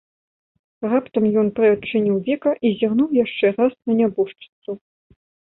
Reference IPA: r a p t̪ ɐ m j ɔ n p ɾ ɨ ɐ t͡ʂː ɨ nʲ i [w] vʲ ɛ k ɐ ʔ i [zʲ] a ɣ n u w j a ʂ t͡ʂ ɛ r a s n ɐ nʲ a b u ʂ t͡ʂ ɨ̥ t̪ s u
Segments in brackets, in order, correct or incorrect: correct, correct

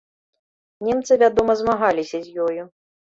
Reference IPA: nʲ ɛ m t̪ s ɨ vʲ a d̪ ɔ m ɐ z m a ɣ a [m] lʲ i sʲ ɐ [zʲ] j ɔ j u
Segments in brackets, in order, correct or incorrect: incorrect: none, correct

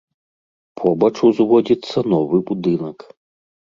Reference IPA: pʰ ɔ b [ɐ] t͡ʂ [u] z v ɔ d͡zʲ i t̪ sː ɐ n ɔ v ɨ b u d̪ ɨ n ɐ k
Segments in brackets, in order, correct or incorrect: correct, correct

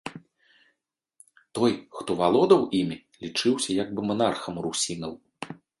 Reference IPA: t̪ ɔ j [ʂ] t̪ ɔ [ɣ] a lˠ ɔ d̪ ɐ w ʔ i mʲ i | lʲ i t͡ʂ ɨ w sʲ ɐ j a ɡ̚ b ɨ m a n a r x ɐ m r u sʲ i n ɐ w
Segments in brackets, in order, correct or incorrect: incorrect: x, incorrect: v

